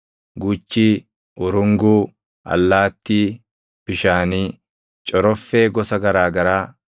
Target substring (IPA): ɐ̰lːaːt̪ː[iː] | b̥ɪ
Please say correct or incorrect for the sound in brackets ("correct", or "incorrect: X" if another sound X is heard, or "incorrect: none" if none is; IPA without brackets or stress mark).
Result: correct